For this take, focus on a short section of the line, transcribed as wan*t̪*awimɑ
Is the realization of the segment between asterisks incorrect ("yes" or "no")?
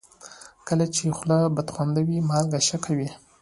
yes